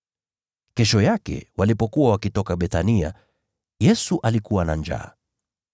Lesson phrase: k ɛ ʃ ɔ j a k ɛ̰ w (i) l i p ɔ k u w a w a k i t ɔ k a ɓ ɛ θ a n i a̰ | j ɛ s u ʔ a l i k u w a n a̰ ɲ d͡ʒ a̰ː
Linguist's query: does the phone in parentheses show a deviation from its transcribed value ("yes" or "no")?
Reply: yes